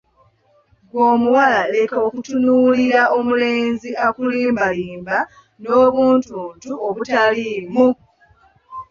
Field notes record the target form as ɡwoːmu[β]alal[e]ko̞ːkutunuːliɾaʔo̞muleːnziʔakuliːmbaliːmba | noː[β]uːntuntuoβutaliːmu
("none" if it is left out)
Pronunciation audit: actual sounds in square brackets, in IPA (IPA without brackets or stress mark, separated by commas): w, e, β